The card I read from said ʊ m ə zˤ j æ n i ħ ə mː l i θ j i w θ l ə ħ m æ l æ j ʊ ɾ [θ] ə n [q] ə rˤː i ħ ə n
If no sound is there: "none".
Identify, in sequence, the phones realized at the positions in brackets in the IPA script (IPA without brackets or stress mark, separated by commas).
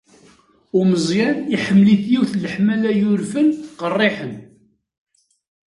f, q